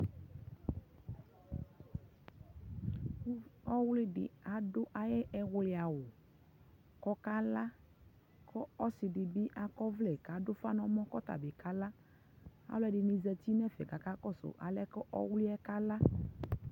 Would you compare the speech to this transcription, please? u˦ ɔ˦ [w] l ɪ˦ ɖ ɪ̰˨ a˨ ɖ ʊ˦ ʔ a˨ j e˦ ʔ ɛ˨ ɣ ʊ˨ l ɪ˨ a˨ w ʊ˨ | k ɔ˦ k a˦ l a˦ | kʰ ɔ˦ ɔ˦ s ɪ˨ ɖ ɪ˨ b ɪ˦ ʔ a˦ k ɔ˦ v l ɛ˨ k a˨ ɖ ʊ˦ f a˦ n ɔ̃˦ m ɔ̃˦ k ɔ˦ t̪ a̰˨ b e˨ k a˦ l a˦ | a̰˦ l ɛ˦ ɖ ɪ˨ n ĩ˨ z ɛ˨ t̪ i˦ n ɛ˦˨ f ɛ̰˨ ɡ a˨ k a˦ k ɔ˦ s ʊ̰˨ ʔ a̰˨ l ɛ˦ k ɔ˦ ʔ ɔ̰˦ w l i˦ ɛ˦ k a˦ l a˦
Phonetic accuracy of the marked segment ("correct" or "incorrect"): correct